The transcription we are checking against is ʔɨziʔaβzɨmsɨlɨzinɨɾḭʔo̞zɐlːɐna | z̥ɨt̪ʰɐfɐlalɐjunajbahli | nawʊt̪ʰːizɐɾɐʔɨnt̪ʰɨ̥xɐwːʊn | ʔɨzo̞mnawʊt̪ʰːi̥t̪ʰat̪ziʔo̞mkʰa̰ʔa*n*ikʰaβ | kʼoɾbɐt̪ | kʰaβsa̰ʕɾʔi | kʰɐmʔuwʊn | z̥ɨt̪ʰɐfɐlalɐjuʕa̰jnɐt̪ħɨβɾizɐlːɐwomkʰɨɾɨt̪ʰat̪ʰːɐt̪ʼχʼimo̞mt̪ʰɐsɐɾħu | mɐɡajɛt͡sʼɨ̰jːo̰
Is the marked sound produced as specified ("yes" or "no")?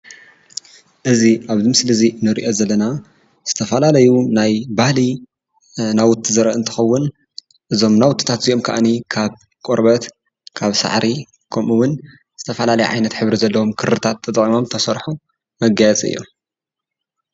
yes